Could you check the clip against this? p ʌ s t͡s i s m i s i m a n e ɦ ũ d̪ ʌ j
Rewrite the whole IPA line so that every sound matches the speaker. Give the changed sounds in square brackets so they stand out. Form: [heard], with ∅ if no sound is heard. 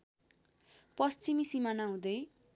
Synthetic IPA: p ʌ s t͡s i [∅] m i s i m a n [a] ɦ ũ d̪ ʌ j

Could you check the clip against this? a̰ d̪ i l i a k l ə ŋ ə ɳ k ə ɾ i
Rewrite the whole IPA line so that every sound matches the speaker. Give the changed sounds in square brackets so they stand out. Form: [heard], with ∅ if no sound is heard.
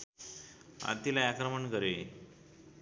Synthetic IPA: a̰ [t̪] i l [a] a k [ɾ] ə [m] ə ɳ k ə ɾ [e]

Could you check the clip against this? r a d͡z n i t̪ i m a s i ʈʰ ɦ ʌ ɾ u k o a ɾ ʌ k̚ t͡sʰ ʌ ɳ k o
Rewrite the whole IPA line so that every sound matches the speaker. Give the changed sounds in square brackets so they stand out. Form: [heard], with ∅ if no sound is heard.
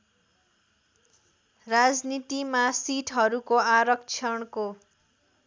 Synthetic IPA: r a d͡z n i t̪ i m a s i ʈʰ ɦ ʌ ɾ u k o a ɾ ʌ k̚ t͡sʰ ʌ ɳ k o

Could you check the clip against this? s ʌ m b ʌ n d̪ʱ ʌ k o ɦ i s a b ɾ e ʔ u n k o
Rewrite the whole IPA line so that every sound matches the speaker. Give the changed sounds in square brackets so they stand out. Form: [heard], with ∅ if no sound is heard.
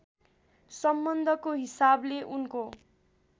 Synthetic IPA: s ʌ m b ʌ n d̪ʱ ʌ k o ɦ i s a b [l] e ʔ u n k o

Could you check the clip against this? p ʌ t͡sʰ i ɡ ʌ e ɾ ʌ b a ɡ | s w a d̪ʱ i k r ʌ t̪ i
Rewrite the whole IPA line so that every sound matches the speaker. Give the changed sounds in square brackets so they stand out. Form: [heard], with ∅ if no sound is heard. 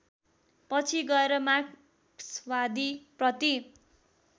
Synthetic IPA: p ʌ t͡sʰ i ɡ ʌ e ɾ ʌ [m] a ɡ | s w a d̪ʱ i [p] r ʌ t̪ i

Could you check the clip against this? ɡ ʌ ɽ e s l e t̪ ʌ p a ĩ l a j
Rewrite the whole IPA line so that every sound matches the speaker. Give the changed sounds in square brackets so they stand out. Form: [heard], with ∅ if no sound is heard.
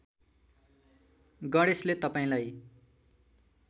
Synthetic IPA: ɡ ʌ ɽ e s l e t̪ ʌ p a ĩ l a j

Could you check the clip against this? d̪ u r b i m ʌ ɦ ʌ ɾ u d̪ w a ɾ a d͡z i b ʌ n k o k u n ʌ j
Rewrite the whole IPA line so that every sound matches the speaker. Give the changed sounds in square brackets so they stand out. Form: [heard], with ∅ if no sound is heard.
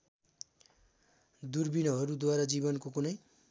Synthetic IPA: d̪ u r b i [n] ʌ ɦ ʌ ɾ u d̪ w a ɾ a d͡z i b ʌ n k o k u n ʌ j

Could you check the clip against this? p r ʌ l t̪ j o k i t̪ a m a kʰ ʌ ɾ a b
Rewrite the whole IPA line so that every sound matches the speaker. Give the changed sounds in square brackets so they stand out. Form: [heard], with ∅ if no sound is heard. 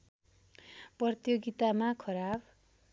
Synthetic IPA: p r ʌ [r] t̪ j o [ɡ] i t̪ a m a kʰ ʌ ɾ a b

